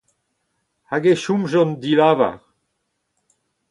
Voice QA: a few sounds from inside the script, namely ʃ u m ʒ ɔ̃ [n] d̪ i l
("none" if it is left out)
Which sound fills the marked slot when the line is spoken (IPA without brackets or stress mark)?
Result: n